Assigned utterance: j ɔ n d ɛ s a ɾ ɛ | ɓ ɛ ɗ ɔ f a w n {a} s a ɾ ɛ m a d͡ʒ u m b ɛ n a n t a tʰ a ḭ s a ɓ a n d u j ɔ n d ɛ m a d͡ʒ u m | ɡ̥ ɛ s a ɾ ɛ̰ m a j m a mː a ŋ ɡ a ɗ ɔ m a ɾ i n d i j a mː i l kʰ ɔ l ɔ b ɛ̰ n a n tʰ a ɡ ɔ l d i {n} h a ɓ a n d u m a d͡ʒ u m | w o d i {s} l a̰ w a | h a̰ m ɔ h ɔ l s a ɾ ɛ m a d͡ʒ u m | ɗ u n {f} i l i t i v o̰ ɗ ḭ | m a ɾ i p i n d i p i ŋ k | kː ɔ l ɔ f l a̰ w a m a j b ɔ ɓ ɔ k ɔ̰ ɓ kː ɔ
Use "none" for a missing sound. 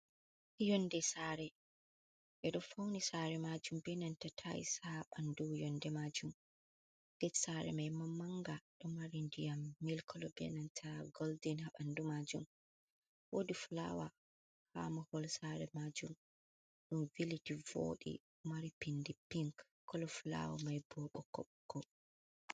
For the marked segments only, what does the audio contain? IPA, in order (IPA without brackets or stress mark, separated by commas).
i, n, f, v